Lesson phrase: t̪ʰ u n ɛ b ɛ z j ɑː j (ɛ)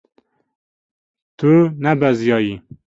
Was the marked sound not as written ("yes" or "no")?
yes